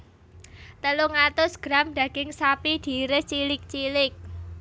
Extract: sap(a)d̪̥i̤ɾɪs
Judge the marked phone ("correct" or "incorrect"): incorrect